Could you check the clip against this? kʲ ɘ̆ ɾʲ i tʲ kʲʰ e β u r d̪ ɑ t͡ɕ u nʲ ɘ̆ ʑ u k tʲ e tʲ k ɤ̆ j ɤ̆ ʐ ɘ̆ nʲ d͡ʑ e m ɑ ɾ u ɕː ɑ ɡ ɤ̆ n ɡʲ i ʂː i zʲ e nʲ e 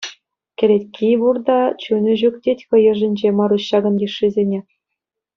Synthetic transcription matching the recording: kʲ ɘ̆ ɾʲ e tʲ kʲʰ i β u r d̪ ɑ t͡ɕ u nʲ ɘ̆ ʑ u k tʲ e tʲ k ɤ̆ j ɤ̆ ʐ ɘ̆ nʲ d͡ʑ e m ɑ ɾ u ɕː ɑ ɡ ɤ̆ n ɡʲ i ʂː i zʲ e nʲ e